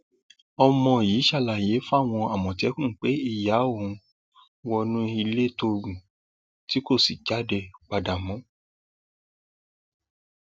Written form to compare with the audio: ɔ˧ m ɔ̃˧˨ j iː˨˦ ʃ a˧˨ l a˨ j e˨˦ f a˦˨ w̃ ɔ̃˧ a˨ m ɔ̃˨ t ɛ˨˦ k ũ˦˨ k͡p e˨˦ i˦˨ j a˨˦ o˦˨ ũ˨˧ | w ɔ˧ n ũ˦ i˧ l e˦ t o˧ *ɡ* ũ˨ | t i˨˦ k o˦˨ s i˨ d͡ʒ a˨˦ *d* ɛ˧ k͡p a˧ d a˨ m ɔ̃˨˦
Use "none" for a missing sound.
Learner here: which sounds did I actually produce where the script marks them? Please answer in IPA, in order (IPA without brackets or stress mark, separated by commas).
ɡ, d